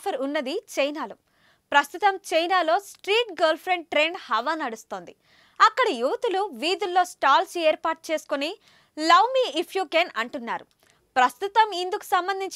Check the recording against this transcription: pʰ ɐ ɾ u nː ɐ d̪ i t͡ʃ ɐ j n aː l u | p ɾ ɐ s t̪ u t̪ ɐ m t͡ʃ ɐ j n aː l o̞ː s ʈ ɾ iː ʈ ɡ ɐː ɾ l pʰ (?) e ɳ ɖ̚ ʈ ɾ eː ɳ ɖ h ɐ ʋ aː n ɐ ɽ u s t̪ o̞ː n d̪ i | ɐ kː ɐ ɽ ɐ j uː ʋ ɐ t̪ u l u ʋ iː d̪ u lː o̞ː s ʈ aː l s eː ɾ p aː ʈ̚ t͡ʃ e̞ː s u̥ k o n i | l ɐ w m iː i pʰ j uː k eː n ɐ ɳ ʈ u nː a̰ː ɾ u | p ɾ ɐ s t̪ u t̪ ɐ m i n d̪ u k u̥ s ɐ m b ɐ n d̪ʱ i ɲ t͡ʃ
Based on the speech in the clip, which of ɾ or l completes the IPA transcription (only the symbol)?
ɾ